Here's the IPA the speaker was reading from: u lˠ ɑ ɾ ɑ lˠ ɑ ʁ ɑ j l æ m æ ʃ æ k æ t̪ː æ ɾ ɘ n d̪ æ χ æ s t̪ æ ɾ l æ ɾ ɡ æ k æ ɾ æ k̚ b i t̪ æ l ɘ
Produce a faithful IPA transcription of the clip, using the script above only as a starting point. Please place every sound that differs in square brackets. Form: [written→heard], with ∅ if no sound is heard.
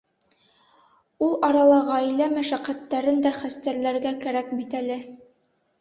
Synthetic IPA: u lˠ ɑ ɾ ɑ lˠ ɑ ʁ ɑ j l æ m æ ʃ æ [k→q] æ t̪ː æ ɾ ɘ n d̪ æ χ æ s t̪ æ ɾ l æ ɾ ɡ æ k æ ɾ æ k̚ b i t̪ æ l ɘ